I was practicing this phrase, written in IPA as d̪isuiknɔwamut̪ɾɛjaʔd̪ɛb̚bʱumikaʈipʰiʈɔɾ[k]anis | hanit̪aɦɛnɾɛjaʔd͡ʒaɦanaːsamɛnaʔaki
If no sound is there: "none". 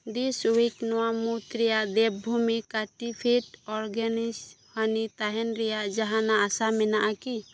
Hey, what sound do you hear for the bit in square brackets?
ɡ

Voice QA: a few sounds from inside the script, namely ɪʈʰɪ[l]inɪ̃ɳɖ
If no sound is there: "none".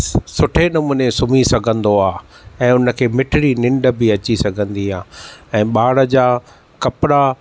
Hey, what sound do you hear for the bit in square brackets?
ɽ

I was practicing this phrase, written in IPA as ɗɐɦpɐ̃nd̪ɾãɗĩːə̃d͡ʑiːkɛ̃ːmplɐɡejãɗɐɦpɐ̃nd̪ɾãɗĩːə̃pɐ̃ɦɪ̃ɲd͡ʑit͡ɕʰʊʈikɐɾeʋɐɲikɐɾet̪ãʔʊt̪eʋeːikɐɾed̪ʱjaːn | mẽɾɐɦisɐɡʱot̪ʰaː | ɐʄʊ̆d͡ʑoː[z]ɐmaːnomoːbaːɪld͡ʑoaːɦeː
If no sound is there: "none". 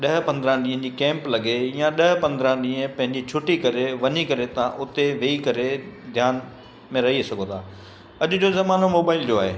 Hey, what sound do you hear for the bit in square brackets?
z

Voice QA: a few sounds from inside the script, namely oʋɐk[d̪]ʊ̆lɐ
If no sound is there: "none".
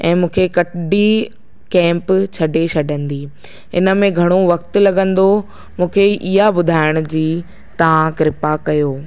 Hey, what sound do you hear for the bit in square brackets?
t̪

